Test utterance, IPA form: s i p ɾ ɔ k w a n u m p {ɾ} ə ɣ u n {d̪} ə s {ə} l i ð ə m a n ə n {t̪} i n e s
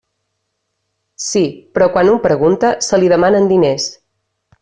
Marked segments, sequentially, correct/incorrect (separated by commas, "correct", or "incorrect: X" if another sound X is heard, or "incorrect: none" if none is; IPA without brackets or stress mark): correct, incorrect: t̪, correct, incorrect: d̪